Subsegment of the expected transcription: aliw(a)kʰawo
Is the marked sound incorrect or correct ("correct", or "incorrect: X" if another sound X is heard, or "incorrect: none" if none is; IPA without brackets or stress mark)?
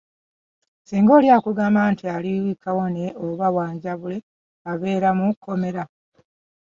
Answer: incorrect: i